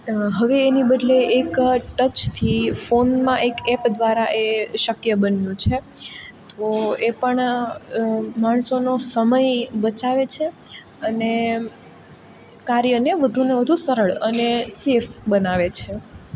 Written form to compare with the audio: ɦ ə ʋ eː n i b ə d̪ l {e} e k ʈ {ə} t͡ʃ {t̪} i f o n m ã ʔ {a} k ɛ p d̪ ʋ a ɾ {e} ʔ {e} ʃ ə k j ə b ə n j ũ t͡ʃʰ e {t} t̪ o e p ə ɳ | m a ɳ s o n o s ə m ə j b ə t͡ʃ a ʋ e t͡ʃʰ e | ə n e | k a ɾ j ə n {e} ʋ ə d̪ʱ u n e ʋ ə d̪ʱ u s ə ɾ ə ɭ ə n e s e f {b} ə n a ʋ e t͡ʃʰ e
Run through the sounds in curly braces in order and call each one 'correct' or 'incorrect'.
correct, correct, incorrect: t̪ʰ, incorrect: e, incorrect: a, correct, correct, correct, correct

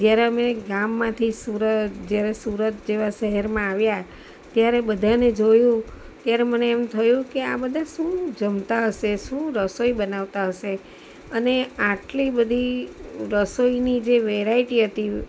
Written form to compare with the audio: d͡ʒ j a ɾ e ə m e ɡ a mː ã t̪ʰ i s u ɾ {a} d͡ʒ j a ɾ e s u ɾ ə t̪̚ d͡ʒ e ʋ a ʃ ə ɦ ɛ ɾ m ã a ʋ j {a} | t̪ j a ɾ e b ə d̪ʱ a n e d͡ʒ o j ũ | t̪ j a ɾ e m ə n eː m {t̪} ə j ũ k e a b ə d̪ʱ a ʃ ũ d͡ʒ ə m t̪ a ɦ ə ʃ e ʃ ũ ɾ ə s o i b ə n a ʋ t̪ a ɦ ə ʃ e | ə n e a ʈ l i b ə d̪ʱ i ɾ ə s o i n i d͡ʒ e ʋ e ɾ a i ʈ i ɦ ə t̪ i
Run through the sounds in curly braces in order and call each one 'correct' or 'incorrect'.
incorrect: ə, correct, incorrect: t̪ʰ

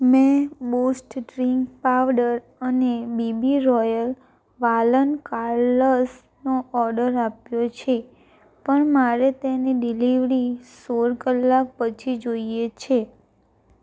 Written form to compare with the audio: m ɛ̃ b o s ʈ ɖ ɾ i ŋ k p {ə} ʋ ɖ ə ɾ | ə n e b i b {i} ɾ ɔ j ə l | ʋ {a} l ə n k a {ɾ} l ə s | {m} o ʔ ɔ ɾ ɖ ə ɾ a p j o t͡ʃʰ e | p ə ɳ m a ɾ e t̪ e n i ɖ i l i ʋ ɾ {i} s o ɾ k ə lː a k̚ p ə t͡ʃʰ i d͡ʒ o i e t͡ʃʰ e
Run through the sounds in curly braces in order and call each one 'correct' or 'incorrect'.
incorrect: a, correct, correct, correct, incorrect: n, correct

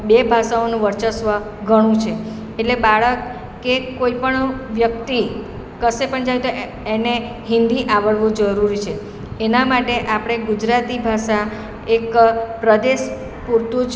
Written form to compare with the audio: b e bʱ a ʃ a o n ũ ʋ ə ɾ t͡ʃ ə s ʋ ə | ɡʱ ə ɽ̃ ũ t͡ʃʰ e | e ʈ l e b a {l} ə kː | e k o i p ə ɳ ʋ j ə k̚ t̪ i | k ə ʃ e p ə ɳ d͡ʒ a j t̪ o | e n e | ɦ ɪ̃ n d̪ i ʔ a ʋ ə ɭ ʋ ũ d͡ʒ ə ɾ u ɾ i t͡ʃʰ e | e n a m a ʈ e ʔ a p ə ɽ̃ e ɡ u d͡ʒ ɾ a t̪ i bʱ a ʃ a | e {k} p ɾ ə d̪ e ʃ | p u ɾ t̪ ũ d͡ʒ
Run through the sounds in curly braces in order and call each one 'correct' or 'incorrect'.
incorrect: ɭ, correct

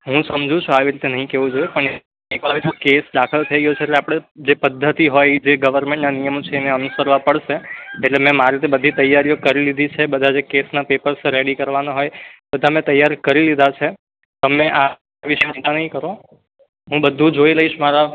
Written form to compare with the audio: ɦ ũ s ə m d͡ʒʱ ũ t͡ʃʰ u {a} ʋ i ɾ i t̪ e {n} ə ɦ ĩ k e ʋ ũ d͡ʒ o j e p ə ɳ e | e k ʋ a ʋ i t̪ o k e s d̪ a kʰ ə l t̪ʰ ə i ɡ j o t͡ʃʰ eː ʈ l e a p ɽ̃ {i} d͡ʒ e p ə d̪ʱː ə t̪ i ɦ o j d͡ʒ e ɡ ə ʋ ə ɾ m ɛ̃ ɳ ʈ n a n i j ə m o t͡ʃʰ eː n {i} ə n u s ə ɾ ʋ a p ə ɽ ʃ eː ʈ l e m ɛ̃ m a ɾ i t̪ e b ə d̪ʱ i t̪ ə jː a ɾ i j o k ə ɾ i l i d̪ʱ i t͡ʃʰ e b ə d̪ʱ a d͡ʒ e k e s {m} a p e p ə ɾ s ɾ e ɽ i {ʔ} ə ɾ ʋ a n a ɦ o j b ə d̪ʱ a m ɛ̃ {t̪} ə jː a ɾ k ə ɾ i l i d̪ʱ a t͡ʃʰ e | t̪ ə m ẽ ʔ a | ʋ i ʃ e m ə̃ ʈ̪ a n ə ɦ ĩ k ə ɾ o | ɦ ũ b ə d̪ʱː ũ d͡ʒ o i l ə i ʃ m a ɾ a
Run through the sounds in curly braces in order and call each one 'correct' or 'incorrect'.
correct, correct, incorrect: e, incorrect: e, incorrect: n, incorrect: k, correct

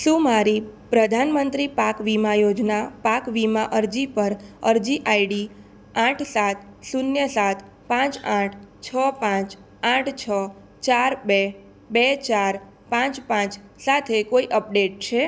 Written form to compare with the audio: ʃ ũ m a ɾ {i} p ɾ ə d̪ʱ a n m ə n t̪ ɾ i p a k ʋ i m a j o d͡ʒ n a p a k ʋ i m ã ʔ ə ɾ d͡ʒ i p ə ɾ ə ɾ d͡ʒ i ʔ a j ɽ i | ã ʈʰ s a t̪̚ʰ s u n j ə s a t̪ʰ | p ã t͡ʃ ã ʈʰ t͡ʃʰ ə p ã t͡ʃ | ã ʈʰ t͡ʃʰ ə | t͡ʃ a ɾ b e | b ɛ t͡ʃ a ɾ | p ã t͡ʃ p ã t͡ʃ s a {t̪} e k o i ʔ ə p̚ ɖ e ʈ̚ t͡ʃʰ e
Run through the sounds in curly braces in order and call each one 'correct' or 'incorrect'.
correct, incorrect: t̪ʰ

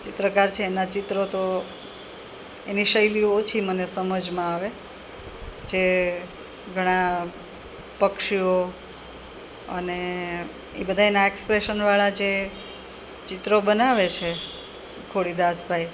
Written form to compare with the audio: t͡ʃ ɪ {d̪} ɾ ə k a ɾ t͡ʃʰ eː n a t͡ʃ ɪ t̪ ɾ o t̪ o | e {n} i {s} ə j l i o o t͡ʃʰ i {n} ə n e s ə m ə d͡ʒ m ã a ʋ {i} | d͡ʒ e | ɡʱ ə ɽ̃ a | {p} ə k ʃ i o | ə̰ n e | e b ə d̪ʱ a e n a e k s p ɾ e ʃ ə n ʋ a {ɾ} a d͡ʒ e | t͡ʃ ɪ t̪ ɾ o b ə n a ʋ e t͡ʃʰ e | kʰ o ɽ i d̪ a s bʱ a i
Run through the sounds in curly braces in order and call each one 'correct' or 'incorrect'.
incorrect: t̪, correct, incorrect: ʃ, incorrect: m, incorrect: e, correct, incorrect: ɭ

